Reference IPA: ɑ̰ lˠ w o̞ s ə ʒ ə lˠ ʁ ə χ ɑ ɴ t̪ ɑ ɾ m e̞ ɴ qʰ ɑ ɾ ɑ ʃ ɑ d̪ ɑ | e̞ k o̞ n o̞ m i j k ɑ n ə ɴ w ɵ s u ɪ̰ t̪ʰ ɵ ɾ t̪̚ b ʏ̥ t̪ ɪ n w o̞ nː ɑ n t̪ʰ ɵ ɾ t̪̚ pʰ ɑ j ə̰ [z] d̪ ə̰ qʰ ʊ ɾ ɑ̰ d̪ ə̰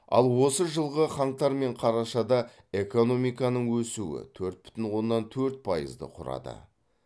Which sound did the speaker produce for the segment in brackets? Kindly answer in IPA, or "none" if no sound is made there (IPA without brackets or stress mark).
z